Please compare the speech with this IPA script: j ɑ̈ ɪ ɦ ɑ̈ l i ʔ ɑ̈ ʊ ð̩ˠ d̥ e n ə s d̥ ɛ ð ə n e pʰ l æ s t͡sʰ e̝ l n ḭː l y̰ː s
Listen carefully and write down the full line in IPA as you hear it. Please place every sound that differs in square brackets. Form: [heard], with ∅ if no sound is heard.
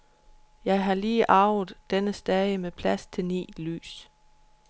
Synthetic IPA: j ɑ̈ ɪ ɦ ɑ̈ l [iː] ʔ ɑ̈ ʊ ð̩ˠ d̥ e n ə s d̥ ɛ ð ə [m] e pʰ l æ s t͡sʰ e̝ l n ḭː l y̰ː s